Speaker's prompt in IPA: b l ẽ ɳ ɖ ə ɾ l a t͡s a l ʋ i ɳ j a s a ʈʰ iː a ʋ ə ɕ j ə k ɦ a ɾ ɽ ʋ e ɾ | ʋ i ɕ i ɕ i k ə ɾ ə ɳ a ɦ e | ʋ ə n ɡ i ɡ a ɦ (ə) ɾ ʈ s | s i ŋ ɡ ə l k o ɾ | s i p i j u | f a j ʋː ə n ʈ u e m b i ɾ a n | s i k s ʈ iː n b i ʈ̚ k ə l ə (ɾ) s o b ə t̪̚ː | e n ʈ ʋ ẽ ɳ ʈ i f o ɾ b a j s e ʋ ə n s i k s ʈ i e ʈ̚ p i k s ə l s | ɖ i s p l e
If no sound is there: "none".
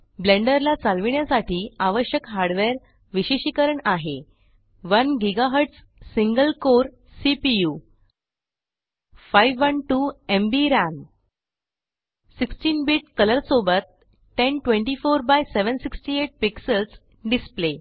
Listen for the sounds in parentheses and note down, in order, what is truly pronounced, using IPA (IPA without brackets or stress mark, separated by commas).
ə, ɾ